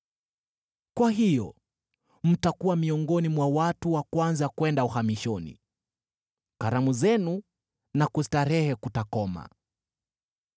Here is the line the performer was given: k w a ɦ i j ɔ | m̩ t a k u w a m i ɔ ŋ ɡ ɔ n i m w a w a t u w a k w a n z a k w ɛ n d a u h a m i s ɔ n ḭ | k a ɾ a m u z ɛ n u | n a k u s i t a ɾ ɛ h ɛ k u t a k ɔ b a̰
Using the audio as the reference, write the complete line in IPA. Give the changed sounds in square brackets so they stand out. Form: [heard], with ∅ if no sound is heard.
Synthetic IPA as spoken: k w a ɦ i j ɔ | m̩ t a k u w a m i ɔ ŋ ɡ ɔ n i m w a w a t u w a k w a n z a k w ɛ n d a u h a m i [ʃ] ɔ n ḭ | k a ɾ a m u z ɛ n u | n a k u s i t a ɾ ɛ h ɛ k u t a k ɔ [m] a̰